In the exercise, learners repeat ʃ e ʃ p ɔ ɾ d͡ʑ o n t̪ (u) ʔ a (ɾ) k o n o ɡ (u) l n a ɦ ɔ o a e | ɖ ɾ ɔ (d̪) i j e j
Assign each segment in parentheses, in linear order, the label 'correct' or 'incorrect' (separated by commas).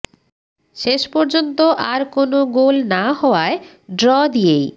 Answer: incorrect, correct, incorrect, correct